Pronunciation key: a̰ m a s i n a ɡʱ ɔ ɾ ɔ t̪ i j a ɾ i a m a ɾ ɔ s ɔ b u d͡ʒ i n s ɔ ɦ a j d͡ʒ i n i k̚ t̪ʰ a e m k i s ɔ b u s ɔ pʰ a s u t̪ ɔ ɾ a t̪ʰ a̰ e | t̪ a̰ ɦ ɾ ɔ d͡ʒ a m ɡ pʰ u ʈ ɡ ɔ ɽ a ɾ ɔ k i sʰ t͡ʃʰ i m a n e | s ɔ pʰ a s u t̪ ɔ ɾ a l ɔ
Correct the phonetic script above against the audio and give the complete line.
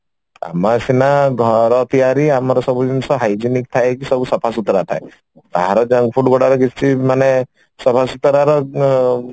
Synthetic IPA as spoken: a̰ m a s i n a ɡʱ ɔ ɾ ɔ t̪ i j a ɾ i a m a ɾ ɔ s ɔ b u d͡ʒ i n s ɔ ɦ a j d͡ʒ i n i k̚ t̪ʰ a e k i s ɔ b u s ɔ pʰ a s u t̪ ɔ ɾ a t̪ʰ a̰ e | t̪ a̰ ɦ ɾ ɔ d͡ʒ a ŋ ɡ pʰ u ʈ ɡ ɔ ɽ a ɾ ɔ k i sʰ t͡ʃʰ i m a n e | s ɔ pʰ a s u t̪ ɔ ɾ a ɾ ɔ